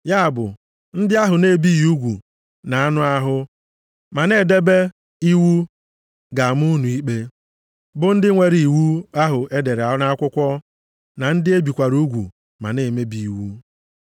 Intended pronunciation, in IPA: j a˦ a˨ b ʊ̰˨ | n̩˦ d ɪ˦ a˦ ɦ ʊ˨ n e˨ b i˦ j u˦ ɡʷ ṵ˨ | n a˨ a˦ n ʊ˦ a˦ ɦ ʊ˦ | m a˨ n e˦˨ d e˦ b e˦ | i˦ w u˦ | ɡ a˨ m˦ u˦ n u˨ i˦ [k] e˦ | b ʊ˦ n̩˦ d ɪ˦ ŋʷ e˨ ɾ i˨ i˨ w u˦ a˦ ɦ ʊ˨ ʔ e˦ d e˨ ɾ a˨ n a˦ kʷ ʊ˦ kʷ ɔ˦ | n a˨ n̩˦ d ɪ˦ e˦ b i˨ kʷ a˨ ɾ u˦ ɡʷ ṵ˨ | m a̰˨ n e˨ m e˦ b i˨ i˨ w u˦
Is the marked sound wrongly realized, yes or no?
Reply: yes